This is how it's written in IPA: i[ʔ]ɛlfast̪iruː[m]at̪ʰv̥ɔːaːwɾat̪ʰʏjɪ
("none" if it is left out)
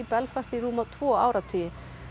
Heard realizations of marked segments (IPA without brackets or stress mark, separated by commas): p, m